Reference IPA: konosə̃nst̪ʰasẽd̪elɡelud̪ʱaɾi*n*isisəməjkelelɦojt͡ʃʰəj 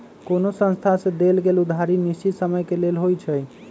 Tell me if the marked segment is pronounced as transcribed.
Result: yes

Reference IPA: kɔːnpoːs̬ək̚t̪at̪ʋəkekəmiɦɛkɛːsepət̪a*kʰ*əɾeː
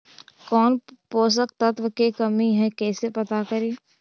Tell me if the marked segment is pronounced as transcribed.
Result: no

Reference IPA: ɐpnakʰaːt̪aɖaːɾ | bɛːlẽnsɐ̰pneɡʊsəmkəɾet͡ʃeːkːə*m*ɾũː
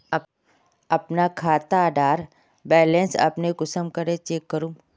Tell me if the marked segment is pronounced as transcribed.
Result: no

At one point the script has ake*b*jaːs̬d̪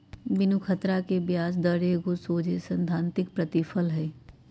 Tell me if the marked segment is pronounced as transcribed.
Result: yes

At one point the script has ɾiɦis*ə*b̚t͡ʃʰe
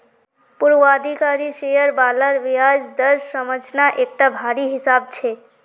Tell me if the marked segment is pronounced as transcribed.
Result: no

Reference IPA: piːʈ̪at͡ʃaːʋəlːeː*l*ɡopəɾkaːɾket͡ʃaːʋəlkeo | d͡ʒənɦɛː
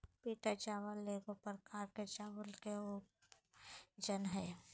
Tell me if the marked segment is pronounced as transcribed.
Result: no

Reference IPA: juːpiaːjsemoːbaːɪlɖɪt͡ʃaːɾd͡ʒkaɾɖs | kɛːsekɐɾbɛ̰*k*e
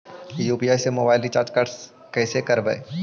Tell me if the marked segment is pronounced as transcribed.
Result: no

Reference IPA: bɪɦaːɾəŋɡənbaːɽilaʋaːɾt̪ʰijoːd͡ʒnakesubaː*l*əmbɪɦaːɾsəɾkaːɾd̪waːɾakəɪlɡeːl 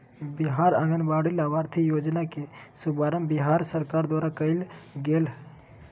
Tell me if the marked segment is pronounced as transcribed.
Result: no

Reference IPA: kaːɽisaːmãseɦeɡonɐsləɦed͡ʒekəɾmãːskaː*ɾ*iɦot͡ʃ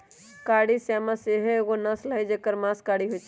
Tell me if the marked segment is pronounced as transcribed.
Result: no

